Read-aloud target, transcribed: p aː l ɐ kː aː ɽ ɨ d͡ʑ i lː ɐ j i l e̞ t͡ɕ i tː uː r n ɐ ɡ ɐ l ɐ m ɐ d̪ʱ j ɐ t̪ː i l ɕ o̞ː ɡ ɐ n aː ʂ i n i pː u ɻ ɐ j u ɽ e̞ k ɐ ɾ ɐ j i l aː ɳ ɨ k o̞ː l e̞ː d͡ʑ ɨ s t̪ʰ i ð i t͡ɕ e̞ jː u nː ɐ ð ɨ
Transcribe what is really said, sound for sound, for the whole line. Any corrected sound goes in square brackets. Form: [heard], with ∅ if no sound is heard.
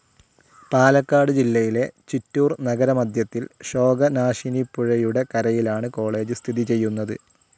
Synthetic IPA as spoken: p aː l ɐ kː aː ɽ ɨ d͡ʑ i lː ɐ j i l e̞ t͡ɕ i tː uː r n ɐ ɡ ɐ [ɾ] ɐ m ɐ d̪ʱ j ɐ t̪ː i l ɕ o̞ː ɡ ɐ n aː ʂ i n i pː u ɻ ɐ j u ɽ e̞ k ɐ ɾ ɐ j i l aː ɳ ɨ k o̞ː [ɭ] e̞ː d͡ʑ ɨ s t̪ʰ i ð i t͡ɕ e̞ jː u nː ɐ ð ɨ